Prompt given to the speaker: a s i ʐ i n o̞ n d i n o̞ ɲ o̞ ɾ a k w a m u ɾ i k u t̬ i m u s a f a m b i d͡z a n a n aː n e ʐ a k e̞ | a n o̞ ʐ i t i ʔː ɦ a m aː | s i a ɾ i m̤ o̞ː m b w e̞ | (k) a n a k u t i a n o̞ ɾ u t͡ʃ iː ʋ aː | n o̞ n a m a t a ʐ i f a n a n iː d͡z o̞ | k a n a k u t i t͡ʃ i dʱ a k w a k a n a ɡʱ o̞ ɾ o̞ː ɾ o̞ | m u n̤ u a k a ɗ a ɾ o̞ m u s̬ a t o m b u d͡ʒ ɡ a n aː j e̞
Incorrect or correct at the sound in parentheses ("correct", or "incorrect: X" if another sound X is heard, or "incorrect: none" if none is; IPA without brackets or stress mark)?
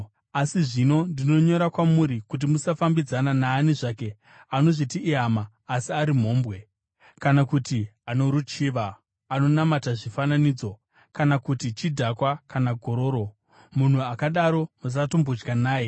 correct